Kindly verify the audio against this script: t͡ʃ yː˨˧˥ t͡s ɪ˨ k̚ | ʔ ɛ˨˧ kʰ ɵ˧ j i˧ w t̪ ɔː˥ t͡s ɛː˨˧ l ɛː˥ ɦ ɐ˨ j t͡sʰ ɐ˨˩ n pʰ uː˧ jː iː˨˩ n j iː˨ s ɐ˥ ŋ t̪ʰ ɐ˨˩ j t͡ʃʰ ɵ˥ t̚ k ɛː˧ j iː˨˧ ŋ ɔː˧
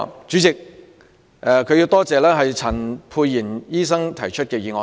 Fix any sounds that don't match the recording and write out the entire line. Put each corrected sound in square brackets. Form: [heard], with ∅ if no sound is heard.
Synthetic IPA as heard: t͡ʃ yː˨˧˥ t͡s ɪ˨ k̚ | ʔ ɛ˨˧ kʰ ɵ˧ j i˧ w t̪ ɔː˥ t͡s ɛː˨˧ l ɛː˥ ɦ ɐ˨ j t͡sʰ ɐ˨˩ n pʰ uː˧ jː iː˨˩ n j [iː˥] s ɐ˥ ŋ t̪ʰ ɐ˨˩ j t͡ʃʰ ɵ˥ t̚ k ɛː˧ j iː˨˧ ŋ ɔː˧